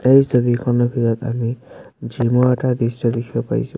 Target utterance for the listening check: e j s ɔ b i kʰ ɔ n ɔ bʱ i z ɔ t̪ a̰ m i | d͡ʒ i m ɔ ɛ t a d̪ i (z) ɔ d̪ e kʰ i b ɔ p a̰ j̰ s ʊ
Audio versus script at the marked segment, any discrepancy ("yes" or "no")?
yes